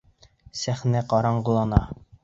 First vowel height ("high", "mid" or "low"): low